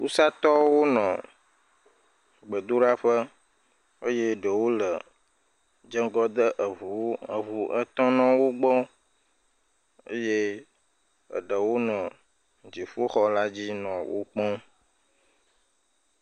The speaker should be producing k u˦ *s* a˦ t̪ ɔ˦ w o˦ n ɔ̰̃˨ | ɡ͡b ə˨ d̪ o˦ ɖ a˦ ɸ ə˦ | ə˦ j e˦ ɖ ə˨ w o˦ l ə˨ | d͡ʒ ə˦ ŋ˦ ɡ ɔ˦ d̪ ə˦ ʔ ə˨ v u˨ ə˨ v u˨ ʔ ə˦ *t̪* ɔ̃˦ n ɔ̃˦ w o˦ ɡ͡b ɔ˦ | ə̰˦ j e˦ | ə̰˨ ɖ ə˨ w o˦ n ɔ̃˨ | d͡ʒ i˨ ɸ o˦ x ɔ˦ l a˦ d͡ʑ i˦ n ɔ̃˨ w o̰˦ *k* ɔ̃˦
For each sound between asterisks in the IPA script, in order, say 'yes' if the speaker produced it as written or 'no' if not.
yes, yes, no

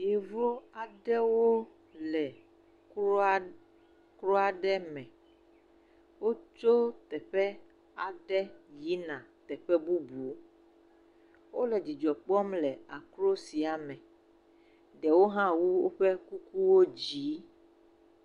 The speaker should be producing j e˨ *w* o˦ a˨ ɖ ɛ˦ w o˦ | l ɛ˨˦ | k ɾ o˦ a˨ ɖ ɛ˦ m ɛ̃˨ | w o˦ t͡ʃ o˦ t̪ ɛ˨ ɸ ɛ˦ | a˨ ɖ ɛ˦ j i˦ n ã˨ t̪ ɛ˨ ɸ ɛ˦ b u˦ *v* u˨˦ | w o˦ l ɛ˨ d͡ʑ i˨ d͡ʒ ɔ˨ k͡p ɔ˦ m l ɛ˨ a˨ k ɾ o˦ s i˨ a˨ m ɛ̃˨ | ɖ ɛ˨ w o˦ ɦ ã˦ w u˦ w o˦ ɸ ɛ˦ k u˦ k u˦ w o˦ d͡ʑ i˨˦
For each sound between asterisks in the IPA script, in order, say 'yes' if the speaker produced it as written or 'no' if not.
no, no

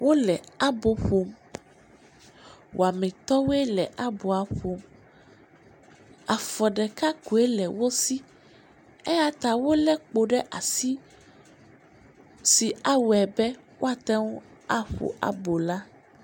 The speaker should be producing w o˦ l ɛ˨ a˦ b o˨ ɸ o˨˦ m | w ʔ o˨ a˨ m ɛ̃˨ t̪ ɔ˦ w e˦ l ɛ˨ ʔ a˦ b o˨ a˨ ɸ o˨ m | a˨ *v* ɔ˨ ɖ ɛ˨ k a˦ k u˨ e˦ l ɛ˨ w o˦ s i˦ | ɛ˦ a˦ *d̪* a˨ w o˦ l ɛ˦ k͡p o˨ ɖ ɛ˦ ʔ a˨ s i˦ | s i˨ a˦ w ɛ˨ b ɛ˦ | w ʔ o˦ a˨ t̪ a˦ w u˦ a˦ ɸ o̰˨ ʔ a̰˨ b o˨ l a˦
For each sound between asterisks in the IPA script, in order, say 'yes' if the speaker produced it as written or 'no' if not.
no, no

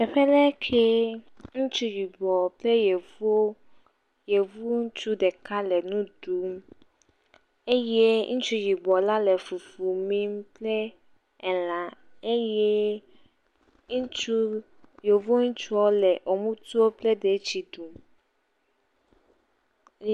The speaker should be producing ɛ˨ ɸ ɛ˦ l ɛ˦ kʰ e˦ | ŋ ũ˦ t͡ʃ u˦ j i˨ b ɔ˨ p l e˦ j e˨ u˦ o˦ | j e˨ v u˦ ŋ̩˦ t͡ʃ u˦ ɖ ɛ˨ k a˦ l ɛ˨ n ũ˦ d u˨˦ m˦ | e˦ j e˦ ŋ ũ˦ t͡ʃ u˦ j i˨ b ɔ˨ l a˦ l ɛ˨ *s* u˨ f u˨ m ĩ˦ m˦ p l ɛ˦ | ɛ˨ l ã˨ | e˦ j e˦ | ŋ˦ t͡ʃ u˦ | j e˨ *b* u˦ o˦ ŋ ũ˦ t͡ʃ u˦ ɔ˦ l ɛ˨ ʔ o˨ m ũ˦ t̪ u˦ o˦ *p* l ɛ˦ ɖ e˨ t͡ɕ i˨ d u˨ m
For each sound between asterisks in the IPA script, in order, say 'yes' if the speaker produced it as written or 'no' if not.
no, no, yes

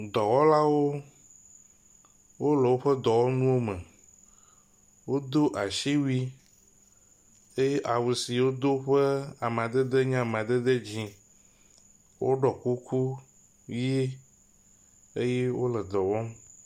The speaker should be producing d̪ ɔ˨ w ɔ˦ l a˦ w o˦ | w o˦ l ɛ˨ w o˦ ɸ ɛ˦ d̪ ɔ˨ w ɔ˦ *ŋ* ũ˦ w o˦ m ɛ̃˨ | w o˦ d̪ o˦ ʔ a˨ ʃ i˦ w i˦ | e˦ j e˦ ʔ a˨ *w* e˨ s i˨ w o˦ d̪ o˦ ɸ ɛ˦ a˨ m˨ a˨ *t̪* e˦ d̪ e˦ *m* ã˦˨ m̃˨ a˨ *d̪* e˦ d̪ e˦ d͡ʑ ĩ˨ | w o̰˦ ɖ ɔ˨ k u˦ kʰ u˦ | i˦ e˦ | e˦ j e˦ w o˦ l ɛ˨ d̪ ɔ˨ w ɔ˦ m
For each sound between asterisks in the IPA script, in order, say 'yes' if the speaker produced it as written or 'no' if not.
no, yes, no, no, yes

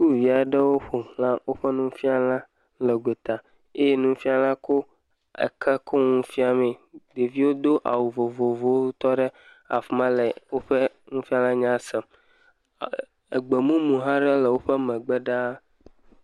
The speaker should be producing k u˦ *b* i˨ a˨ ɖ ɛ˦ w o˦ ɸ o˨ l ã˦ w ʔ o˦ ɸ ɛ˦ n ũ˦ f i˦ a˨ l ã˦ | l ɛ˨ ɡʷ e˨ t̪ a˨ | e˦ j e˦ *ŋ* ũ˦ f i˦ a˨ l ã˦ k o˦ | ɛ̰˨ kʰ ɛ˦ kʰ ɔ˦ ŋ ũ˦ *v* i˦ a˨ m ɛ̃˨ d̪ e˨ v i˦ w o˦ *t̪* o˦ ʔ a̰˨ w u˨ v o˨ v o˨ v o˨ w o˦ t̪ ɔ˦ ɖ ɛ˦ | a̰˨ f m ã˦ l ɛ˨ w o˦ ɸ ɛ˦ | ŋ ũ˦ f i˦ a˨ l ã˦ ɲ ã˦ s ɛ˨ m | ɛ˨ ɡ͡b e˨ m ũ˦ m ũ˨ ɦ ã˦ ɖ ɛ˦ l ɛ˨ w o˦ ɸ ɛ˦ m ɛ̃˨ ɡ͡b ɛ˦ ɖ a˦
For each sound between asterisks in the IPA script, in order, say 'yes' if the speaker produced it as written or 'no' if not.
no, no, no, no

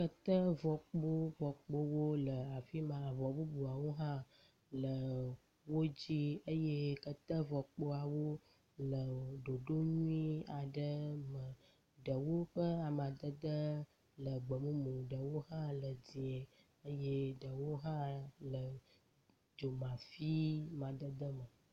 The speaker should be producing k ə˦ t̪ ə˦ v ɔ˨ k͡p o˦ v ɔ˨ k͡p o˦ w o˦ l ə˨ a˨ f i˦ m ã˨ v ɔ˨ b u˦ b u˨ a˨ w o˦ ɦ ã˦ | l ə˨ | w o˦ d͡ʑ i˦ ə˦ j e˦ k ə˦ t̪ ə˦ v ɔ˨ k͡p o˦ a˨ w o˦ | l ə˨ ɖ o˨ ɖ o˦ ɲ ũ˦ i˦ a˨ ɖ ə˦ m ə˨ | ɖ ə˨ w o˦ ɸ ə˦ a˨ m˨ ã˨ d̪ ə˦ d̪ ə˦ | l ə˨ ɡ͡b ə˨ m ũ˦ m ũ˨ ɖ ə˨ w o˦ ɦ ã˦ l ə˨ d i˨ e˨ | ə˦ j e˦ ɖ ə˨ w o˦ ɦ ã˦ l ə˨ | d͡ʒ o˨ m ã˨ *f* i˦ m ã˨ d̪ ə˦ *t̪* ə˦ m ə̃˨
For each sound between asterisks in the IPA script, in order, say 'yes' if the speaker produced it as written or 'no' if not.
yes, no

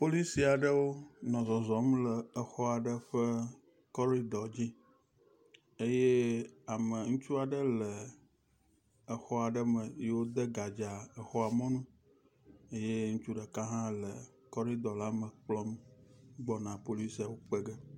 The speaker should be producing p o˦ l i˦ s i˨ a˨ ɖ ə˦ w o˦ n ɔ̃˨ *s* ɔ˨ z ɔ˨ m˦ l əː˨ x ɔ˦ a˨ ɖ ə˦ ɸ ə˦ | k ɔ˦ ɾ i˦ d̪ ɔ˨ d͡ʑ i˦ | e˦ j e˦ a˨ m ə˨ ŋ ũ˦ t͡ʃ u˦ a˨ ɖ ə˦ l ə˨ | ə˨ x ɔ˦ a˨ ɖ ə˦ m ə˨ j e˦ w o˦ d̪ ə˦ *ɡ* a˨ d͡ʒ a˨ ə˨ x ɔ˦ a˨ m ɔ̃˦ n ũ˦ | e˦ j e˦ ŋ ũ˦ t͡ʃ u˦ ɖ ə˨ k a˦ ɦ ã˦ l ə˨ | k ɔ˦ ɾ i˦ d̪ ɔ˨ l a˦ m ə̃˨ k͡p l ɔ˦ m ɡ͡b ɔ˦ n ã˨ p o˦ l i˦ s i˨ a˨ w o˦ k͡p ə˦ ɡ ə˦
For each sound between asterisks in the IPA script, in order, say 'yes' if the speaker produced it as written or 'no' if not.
no, yes

